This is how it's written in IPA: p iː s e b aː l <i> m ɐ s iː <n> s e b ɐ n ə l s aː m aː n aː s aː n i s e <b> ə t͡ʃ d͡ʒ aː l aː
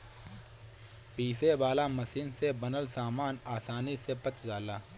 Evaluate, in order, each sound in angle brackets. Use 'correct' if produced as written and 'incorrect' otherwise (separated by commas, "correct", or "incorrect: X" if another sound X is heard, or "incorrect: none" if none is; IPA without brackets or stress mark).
incorrect: a, correct, incorrect: p